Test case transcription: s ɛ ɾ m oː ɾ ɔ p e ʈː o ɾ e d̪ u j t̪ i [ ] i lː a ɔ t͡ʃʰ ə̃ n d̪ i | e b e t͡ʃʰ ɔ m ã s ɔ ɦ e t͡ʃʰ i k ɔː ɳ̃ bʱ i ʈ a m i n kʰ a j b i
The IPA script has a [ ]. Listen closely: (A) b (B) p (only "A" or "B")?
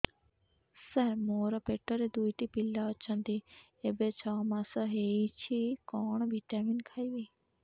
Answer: B